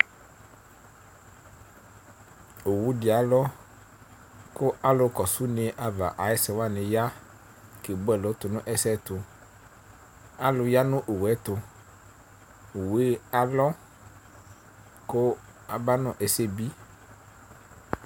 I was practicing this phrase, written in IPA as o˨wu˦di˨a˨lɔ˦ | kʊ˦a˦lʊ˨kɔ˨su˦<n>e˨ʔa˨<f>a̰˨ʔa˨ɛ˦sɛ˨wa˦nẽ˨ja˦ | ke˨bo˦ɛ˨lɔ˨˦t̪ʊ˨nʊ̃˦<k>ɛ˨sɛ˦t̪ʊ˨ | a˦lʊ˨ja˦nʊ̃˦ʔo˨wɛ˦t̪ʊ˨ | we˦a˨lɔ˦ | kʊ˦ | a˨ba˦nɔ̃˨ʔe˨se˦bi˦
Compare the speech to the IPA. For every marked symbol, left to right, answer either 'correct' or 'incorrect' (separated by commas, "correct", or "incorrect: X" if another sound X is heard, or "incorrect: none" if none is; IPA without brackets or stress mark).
correct, incorrect: v, incorrect: ʔ